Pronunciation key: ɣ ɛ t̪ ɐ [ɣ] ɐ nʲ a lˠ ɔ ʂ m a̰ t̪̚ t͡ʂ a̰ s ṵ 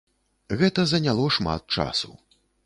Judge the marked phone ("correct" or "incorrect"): incorrect